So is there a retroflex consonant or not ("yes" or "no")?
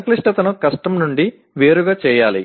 yes